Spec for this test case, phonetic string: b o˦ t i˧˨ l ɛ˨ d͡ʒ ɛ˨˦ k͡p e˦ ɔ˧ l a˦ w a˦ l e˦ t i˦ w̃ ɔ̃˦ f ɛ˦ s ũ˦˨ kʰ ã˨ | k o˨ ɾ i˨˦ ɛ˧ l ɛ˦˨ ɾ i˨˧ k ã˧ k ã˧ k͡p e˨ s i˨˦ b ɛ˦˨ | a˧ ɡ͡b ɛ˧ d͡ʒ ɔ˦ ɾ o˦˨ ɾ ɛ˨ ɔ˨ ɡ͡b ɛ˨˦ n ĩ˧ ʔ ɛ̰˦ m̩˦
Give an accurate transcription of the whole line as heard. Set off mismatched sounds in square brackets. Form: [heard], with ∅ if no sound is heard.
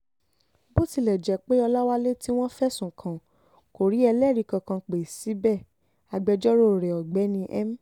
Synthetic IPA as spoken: b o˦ t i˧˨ l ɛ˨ d͡ʒ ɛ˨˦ k͡p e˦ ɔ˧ l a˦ w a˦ l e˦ t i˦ w̃ ɔ̃˦ f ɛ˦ s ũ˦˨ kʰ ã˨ | k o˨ ɾ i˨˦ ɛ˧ l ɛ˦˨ ɾ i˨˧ k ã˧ k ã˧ k͡p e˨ s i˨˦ b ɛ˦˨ | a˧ ɡ͡b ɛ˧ d͡ʒ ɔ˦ ɾ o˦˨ ɾ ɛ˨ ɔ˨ ɡ͡b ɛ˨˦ n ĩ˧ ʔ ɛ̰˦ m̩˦